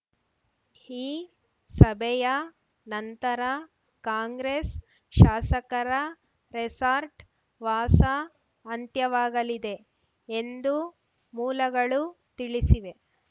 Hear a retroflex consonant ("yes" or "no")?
yes